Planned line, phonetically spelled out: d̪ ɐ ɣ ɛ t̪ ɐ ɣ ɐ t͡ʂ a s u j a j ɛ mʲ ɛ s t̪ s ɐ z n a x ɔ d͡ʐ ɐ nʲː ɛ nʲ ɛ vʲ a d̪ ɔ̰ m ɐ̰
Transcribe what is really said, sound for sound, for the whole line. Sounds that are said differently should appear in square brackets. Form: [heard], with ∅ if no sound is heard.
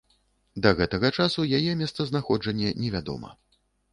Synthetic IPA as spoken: d̪ ɐ ɣ ɛ t̪ ɐ ɣ ɐ t͡ʂ a s u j a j ɛ mʲ ɛ s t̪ s ɐ z n a x ɔ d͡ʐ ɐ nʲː ɛ nʲ ɛ vʲ a d̪ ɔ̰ m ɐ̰